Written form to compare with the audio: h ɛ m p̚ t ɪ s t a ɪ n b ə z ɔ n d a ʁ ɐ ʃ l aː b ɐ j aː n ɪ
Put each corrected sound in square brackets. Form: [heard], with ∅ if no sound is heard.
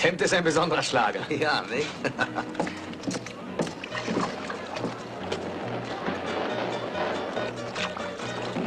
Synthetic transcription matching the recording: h ɛ m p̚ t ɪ s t a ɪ n b ə z ɔ n d [ə] ʁ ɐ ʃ l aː [ɡ] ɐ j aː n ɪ